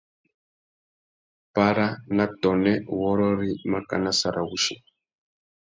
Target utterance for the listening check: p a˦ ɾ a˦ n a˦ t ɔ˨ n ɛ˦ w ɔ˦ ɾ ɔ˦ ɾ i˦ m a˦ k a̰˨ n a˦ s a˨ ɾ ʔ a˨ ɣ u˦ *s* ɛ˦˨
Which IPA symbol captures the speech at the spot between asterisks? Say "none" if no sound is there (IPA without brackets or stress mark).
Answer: ʃ